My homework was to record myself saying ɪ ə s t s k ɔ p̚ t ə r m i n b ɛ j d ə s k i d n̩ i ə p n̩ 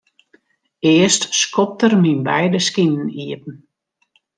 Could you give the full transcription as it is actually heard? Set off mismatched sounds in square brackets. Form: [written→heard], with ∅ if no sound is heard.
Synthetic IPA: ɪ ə s t s k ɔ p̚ t ə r m i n b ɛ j d ə s k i [d→n] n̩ i ə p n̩